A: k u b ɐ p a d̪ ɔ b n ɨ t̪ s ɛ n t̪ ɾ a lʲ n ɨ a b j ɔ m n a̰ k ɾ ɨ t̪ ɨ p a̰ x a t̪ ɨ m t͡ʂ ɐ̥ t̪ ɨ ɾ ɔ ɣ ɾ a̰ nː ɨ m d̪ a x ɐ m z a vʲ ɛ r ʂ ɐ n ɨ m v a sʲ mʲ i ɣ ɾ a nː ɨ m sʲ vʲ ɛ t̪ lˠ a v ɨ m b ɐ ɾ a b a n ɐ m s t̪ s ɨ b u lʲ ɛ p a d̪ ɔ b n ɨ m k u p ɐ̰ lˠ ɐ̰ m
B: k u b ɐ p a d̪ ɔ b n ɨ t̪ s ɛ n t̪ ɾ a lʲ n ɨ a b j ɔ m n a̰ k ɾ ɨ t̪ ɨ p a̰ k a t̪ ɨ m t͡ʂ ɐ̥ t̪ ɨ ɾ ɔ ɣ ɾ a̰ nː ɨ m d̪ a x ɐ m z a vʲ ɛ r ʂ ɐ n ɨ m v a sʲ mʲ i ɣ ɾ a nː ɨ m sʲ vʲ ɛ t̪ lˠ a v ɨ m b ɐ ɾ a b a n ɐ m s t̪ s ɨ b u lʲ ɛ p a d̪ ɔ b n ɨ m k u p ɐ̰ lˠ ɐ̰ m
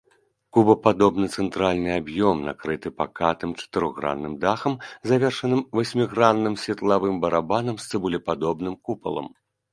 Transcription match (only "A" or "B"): B